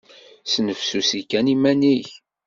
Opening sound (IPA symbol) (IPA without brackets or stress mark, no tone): s